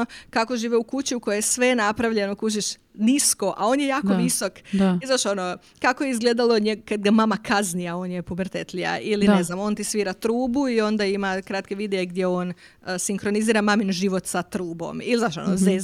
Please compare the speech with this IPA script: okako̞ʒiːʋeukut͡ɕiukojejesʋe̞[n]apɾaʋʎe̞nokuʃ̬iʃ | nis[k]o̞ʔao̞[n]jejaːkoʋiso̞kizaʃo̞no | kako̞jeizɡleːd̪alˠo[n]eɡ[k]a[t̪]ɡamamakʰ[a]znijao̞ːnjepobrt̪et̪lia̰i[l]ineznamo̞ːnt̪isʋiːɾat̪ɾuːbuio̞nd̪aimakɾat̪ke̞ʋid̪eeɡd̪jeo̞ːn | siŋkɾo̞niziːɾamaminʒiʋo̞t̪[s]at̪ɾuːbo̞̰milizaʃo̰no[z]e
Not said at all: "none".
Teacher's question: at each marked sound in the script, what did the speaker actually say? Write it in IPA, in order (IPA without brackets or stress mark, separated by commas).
n, k, n, ɲ, k, d̪, a, l, s, z